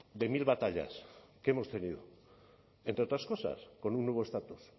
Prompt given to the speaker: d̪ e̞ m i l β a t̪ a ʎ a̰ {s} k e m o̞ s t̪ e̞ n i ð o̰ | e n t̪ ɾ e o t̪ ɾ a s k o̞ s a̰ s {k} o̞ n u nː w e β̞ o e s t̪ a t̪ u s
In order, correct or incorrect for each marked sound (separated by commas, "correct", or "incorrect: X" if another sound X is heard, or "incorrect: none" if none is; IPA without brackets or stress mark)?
correct, correct